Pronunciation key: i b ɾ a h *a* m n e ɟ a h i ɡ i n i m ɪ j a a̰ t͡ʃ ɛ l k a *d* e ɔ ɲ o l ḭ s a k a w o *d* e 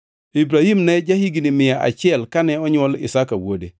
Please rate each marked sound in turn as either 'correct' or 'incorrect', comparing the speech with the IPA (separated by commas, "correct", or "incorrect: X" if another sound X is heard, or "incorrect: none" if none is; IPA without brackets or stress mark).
incorrect: i, incorrect: n, correct